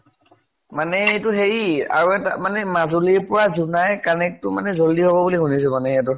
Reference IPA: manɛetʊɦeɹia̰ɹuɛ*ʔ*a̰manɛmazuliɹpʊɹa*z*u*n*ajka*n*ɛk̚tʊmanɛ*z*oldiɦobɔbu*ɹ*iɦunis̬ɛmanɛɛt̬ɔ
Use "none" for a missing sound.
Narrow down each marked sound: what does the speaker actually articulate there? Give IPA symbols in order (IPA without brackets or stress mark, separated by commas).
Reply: t, z, n, n, z, l